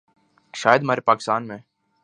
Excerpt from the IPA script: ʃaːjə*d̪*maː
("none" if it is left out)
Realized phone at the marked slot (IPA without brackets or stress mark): d̪